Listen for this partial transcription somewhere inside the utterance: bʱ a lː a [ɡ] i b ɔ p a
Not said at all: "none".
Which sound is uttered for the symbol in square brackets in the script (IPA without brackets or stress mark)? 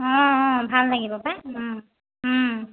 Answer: ɡ